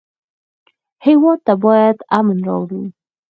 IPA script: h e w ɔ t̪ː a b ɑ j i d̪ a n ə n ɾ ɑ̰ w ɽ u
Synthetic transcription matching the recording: h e w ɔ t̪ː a b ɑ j a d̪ a m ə n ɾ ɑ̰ w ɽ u